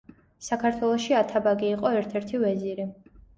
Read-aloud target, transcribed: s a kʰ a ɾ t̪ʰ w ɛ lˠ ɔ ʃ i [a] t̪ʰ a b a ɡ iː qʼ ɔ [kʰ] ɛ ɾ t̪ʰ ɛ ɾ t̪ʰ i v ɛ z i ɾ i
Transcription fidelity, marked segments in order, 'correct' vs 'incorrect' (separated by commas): correct, incorrect